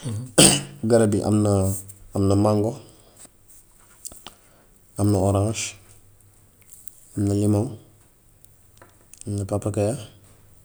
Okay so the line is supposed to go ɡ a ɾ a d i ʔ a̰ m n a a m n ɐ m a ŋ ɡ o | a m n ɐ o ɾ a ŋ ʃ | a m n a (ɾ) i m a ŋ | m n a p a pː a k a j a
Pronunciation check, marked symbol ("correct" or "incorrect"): incorrect